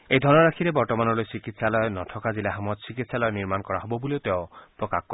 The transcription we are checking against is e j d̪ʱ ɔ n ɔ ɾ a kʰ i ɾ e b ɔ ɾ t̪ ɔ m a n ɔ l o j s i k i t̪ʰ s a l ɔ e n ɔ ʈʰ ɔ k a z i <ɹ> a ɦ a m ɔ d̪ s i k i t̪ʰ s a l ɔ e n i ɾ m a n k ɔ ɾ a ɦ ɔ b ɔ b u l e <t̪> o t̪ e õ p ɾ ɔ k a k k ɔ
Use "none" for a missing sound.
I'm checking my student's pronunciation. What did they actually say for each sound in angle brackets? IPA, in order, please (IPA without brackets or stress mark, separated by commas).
l, none